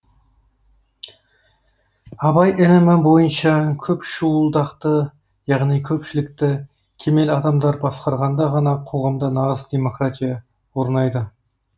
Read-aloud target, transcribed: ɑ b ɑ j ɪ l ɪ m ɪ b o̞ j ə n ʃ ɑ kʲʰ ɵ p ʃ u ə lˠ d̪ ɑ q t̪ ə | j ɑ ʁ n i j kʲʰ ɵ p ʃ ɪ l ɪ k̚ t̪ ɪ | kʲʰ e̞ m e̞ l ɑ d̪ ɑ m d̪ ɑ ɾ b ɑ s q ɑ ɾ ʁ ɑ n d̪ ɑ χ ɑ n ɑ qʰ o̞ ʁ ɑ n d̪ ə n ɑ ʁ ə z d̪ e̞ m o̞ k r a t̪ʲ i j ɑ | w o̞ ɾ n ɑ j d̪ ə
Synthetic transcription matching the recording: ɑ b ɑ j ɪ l ɪ m ɪ b o̞ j ə n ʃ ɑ kʲʰ ɵ p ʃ u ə lˠ d̪ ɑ q t̪ ə | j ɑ ʁ n i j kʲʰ ɵ p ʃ ɪ l ɪ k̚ t̪ ɪ | kʲʰ e̞ m e̞ l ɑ d̪ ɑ m d̪ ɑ ɾ b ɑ s q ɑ ɾ ʁ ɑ n d̪ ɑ ʁ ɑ n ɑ qʰ o̞ ʁ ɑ m d̪ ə n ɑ ʁ ə z d̪ e̞ m o̞ k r a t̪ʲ i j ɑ | w o̞ ɾ n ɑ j d̪ ə